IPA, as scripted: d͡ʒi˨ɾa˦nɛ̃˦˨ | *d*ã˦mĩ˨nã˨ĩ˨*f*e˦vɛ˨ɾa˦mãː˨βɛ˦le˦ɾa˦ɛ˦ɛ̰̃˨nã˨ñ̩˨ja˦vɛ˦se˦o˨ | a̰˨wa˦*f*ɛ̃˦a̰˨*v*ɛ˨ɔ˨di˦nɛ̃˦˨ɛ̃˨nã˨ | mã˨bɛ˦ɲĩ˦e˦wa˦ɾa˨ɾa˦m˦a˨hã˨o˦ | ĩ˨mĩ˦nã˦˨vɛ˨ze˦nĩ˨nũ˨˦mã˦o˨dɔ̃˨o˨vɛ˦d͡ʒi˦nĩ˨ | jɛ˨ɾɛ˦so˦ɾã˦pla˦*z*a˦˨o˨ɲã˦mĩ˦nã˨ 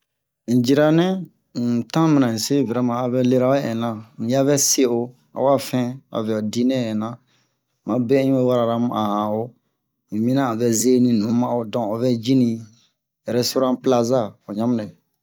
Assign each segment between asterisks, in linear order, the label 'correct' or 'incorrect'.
incorrect: t, incorrect: s, correct, correct, correct

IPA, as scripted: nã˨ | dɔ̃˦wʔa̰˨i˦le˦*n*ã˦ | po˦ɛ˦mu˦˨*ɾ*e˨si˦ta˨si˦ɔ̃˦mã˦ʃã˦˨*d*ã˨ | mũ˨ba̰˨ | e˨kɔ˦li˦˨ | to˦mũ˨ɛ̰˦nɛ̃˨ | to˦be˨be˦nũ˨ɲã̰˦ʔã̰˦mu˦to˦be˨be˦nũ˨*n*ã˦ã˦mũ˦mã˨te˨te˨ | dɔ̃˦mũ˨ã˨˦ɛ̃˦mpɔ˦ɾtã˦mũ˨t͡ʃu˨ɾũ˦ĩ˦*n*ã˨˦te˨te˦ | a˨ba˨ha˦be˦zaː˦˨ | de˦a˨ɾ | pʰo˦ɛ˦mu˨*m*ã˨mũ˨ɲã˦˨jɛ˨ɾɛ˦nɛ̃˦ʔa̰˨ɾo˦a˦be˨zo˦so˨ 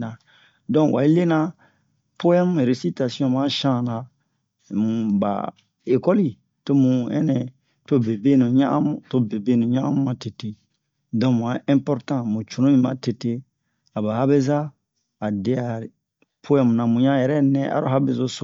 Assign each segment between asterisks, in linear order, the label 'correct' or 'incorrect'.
correct, correct, incorrect: n, incorrect: ɲ, incorrect: m, incorrect: n

